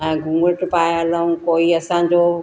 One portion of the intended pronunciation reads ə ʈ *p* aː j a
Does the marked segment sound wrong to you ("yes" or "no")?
no